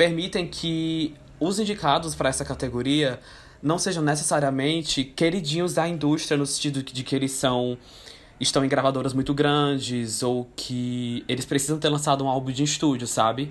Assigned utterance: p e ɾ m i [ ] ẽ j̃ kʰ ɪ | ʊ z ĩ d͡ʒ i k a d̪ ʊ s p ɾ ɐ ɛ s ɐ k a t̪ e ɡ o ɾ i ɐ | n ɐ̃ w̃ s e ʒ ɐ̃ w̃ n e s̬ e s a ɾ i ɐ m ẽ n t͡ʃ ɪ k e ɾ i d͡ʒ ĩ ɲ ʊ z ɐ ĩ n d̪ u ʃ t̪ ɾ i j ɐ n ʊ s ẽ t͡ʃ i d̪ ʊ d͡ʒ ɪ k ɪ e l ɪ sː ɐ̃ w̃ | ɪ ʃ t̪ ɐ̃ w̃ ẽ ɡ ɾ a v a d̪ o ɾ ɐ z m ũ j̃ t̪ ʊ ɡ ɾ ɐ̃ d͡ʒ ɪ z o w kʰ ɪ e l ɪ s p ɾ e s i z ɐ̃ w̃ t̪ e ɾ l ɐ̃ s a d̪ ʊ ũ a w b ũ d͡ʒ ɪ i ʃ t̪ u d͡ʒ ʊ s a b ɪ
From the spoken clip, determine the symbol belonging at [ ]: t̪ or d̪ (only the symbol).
t̪